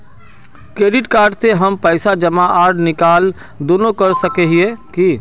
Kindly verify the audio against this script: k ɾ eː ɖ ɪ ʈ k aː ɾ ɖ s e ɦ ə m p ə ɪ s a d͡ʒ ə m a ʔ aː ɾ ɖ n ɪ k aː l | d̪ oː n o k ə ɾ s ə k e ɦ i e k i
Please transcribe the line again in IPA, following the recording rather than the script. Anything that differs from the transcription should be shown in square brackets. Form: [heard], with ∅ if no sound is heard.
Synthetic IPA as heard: k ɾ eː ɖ ɪ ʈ k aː ɾ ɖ s e ɦ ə m p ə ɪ s a d͡ʒ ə m a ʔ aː ɾ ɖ n ɪ k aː l | d̪ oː n o k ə ɾ s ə k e ɦ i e k i